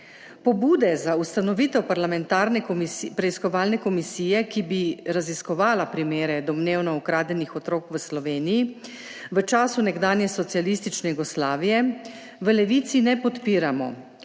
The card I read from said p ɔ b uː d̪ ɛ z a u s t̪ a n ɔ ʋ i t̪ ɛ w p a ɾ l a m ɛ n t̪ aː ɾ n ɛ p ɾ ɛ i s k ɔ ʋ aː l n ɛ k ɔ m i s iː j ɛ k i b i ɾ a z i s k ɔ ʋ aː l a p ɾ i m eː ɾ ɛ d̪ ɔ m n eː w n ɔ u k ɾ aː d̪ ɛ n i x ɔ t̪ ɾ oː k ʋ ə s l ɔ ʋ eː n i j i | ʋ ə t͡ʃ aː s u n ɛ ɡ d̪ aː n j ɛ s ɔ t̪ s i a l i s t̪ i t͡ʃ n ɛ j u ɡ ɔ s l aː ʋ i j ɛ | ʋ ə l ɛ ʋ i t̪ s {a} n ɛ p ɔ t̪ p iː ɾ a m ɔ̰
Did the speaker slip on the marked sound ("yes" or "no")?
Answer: yes